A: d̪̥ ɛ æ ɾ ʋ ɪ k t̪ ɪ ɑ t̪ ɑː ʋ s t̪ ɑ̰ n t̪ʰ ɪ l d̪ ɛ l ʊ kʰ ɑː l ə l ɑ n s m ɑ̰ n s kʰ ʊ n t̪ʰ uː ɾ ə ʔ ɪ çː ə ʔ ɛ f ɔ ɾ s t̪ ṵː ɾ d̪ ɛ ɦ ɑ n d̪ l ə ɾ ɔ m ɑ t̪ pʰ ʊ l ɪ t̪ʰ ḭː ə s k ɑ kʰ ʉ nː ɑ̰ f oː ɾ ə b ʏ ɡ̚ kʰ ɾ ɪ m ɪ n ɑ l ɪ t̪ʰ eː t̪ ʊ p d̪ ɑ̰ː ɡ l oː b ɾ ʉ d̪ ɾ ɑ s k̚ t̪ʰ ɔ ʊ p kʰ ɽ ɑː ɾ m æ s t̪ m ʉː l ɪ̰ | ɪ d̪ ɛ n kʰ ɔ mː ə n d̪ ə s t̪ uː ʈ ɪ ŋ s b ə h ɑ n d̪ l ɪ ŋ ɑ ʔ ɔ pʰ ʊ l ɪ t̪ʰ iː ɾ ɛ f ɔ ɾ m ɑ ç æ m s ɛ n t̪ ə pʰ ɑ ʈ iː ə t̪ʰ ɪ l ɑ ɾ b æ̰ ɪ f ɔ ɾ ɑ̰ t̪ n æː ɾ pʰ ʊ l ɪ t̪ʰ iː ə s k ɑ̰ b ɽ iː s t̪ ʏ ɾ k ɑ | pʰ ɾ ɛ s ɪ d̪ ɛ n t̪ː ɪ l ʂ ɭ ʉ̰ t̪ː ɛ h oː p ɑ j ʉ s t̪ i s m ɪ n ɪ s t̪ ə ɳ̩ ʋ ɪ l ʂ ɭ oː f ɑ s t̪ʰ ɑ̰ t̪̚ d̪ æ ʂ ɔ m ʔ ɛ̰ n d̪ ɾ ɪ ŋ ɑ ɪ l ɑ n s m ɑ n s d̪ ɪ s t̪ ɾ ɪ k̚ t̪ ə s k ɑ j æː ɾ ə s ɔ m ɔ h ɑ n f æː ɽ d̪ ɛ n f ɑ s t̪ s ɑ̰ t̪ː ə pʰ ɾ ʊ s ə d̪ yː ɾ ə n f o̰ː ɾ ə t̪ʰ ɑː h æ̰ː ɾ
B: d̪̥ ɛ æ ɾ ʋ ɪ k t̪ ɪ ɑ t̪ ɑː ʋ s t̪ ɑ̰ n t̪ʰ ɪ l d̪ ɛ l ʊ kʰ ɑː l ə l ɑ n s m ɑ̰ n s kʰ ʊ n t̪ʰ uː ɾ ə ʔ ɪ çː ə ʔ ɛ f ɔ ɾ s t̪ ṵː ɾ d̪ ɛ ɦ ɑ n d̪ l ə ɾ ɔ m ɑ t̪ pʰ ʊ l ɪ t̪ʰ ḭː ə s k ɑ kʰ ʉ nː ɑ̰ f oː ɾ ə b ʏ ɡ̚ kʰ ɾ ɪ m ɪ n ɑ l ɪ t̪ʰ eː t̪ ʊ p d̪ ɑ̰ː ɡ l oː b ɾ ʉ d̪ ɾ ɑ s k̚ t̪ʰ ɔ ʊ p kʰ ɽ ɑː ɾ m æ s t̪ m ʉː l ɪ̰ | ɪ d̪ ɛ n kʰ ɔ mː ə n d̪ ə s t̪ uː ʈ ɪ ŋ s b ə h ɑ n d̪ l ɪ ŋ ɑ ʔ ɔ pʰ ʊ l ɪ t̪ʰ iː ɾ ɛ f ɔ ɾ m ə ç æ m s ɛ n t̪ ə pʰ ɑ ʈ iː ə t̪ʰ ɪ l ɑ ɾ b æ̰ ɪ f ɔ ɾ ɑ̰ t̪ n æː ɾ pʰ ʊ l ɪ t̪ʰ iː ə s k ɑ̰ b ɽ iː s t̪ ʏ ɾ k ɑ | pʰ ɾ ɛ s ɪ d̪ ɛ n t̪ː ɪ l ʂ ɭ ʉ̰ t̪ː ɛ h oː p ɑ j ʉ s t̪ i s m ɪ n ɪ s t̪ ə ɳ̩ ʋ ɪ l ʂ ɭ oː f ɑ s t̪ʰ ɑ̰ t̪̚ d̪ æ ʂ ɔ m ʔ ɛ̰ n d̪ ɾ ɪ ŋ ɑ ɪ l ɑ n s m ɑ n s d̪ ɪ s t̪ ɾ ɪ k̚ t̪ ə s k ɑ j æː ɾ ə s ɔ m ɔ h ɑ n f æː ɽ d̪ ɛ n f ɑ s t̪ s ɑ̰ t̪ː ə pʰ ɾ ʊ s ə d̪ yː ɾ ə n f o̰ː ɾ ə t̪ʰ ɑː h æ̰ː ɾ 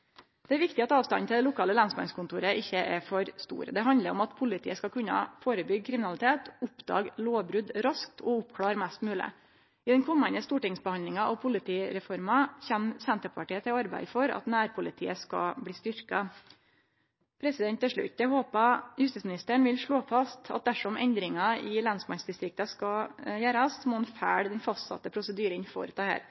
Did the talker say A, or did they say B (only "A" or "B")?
A